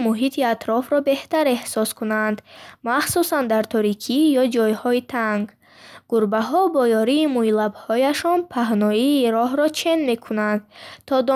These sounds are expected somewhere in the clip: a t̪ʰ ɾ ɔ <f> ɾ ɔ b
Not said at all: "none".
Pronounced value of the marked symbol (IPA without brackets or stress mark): f